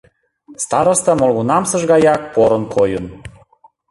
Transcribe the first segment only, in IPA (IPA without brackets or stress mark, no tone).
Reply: s